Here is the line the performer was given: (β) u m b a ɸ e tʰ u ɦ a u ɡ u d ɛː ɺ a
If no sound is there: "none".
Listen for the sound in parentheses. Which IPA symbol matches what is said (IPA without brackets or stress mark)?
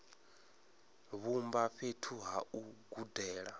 β